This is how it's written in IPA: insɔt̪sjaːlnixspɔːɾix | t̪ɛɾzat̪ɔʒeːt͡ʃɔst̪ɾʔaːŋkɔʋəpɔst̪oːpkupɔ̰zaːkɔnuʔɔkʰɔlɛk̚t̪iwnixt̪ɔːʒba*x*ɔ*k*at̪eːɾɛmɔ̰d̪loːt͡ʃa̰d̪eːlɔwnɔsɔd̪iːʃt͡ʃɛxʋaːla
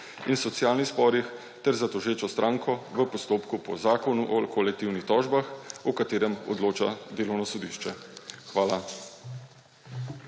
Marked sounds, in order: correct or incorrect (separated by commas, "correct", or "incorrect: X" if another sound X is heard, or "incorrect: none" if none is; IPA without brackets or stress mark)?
correct, correct